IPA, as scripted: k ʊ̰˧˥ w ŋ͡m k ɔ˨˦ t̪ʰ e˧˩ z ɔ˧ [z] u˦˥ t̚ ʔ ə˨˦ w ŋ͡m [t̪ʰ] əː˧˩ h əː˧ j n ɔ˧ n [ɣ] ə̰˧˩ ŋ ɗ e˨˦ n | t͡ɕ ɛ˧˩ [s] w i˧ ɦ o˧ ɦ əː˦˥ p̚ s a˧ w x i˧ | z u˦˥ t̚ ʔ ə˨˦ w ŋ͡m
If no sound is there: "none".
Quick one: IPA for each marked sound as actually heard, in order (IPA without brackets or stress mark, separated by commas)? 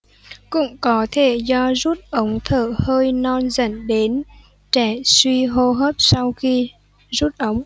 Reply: z, t̪ʰ, z, s